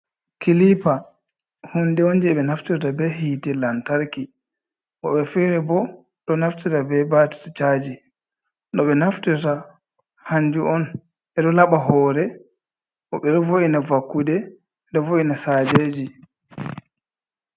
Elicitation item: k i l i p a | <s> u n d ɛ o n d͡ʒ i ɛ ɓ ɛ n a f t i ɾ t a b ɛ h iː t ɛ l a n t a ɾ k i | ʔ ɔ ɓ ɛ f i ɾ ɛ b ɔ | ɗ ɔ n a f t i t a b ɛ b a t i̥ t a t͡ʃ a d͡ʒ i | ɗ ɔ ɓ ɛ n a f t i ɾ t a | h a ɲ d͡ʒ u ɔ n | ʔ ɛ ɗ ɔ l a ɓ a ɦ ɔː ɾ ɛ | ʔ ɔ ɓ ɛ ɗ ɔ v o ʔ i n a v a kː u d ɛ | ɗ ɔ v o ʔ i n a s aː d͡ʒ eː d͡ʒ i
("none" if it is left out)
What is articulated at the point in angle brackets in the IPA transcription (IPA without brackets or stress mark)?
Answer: h